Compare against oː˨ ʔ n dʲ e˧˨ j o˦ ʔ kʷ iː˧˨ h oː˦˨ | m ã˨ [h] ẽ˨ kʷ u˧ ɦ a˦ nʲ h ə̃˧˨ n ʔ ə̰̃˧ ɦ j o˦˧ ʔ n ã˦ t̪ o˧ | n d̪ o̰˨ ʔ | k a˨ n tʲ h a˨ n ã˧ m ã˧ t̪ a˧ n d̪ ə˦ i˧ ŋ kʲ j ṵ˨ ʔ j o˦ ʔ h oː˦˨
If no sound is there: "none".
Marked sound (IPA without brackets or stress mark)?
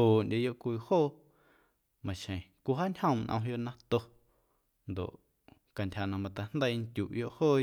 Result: ʃ